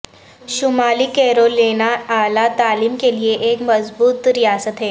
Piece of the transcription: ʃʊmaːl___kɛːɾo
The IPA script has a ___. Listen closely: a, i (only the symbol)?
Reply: i